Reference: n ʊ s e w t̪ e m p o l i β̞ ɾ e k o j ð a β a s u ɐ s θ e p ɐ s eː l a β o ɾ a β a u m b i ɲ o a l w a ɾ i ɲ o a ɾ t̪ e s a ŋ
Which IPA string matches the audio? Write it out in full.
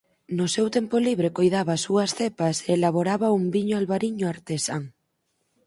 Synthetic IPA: n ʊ s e w t̪ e m p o l i β̞ ɾ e k o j ð a β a s u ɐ s θ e p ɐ s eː l a β o ɾ a β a u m b i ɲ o a l β a ɾ i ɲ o a ɾ t̪ e s a ŋ